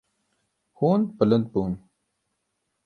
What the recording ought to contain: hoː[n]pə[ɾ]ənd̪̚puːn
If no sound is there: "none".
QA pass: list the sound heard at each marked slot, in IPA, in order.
n, l

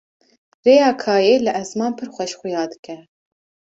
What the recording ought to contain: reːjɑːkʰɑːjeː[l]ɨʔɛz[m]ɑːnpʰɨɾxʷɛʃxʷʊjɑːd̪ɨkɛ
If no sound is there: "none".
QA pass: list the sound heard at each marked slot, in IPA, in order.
l, m

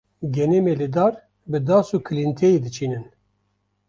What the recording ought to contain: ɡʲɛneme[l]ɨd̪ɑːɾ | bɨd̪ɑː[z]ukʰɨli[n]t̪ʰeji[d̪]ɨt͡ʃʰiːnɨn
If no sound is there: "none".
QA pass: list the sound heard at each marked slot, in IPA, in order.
l, s, n, d̪

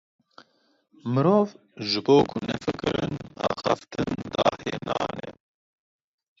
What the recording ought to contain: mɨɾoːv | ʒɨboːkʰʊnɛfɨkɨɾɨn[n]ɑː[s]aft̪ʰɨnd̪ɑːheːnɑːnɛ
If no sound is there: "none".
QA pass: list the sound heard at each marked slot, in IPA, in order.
n, x

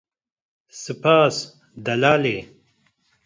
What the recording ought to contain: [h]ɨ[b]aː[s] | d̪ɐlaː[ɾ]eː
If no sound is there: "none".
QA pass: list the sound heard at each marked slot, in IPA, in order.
s, p, s, l

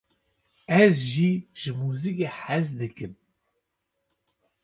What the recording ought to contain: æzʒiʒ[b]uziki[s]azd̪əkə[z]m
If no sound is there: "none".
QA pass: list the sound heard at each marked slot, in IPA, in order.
m, ħ, none

